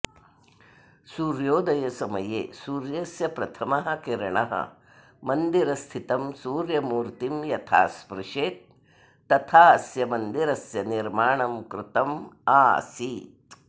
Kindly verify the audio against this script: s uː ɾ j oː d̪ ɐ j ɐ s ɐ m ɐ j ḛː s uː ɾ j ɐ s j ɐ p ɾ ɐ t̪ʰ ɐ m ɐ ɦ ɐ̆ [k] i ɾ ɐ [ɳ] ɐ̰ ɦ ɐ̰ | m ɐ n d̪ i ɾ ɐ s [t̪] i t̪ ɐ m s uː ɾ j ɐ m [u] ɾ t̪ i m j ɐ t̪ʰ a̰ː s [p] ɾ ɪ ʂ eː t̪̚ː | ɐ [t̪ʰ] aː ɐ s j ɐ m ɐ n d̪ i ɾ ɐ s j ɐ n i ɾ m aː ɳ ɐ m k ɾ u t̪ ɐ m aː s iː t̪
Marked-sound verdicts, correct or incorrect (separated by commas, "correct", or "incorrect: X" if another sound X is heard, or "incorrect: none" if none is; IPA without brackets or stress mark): correct, correct, incorrect: t̪ʰ, incorrect: uː, correct, correct